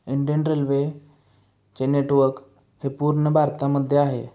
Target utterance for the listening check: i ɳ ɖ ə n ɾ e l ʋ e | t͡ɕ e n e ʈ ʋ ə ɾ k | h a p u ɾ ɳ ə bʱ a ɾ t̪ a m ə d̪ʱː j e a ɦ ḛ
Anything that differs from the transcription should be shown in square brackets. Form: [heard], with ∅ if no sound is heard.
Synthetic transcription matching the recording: i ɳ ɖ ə n ɾ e l ʋ e | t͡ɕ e n e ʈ ʋ ə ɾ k | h [e] p u ɾ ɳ ə bʱ a ɾ t̪ a m ə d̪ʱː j e a ɦ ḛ